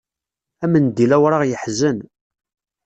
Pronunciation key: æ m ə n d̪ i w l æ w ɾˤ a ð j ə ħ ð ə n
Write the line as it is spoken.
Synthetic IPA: æ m ə n d̪ i l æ w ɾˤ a ʁ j ə ħ z ə n